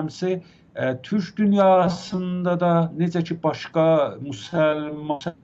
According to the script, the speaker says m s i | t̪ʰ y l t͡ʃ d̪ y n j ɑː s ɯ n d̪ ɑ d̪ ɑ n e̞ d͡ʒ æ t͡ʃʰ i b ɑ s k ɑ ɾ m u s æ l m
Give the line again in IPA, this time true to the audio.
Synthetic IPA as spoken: m s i | t̪ʰ y ɾ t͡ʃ d̪ y n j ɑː s ɯ n d̪ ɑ d̪ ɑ n e̞ d͡ʒ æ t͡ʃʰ i b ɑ ʃ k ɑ m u s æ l m